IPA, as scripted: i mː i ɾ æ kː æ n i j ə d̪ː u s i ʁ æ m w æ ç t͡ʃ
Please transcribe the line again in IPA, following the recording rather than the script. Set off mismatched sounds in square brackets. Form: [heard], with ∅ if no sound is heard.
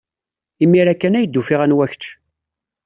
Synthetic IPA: i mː i ɾ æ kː æ n [æ] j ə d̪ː u [f] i ʁ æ [n] w æ ç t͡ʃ

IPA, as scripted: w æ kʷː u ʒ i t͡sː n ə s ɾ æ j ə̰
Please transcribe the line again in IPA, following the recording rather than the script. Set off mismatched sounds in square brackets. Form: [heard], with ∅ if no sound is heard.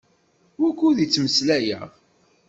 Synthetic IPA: w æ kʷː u [ð] i t͡sː [m] ə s [l] æ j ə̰

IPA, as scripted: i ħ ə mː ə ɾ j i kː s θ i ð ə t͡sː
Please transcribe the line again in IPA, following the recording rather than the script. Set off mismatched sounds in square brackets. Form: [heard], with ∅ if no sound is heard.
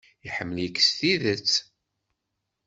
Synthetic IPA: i ħ ə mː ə [l] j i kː s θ i ð ə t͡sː

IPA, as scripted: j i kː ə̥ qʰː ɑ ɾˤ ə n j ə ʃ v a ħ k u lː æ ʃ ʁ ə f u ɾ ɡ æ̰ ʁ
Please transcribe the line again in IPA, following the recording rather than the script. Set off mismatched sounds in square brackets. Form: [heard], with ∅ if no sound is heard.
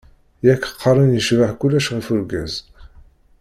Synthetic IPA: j [æ] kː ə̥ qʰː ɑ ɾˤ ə n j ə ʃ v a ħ k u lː æ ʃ ʁ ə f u ɾ ɡ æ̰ [z]

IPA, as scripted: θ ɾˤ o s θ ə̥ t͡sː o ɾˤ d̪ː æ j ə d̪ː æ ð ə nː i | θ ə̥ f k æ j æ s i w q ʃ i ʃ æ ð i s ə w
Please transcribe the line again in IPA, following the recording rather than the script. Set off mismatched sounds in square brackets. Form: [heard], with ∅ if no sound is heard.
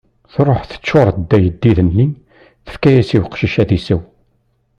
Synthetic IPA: θ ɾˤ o [ħ] θ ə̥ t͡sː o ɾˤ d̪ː æ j ə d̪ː [i] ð ə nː i | θ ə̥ f k æ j æ s i w q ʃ i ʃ æ ð i s ə w

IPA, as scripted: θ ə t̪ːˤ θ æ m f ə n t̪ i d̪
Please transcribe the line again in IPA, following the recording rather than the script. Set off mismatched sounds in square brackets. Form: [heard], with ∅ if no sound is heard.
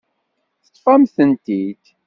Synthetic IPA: θ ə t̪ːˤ [f] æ m [θ] ə n t̪ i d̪

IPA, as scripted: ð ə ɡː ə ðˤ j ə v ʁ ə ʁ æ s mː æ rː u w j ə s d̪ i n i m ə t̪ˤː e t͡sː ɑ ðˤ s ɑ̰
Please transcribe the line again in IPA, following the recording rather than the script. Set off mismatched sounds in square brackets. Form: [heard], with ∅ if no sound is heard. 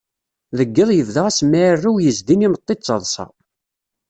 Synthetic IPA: ð ə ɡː ə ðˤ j ə v [ð] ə ʁ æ s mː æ rː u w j ə [z] d̪ i n i m ə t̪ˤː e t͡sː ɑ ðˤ s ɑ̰

